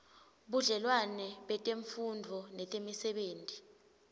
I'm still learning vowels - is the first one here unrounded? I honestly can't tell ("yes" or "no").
no